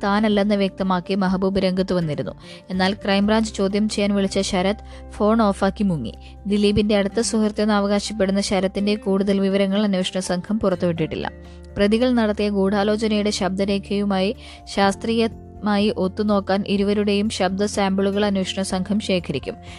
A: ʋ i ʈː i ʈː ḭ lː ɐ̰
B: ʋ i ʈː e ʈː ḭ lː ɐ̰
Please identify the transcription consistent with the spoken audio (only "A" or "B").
A